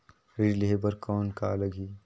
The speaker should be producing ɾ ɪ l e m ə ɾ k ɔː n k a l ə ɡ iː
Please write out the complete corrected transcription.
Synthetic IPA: ɾ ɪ l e b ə ɾ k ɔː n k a l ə ɡ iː